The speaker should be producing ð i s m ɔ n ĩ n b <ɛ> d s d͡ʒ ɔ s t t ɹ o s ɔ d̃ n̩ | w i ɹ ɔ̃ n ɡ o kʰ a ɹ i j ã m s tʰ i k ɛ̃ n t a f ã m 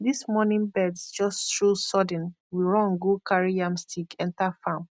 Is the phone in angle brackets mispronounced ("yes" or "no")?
no